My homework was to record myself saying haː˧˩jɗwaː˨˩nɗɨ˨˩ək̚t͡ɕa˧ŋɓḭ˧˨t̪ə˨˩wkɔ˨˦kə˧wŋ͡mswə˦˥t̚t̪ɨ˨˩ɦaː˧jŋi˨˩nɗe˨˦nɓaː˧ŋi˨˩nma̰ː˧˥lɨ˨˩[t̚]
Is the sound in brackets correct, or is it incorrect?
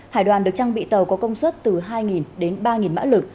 incorrect